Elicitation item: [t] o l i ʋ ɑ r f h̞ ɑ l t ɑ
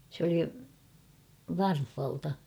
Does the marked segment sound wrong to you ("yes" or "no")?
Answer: yes